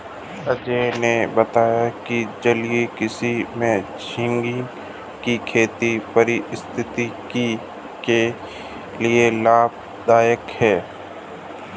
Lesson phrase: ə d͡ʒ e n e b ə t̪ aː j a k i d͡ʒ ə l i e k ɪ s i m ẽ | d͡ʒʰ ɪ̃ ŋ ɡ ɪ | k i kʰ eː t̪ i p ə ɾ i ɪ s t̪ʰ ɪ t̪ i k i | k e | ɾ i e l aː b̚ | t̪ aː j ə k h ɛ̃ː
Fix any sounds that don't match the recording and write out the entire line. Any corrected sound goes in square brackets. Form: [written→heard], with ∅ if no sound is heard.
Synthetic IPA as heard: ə d͡ʒ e n e b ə t̪ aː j a k i d͡ʒ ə l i e k ɪ s i m ẽ | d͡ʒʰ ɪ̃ ŋ ɡ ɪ | k i kʰ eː t̪ i p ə ɾ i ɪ s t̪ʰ ɪ t̪ i k i | k e | [ɾ→l] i e l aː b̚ | [t̪→d̪] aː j ə k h [ɛ̃ː→ɛː]